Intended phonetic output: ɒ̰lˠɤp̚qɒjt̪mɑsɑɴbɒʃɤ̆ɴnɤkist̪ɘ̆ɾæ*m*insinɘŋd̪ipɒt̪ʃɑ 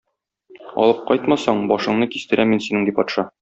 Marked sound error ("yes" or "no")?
no